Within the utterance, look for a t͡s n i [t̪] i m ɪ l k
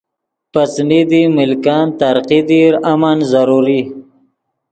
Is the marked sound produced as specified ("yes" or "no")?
no